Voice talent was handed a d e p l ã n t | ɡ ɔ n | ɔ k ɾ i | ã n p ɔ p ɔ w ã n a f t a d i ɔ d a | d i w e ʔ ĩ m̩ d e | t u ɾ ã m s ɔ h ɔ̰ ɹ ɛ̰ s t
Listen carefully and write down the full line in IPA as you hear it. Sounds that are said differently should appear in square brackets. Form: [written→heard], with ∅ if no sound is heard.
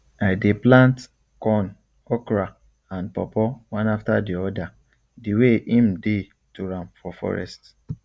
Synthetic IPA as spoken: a d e p l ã n t | [ɡ→k] ɔ n | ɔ k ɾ [i→a] | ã n p ɔ p ɔ w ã n a f t a d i ɔ d a | d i w e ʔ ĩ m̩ d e | t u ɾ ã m [s→f] ɔ [h→f] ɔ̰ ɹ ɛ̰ s t